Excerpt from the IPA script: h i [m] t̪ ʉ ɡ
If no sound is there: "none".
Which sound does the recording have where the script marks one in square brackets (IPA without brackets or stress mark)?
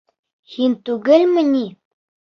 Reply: n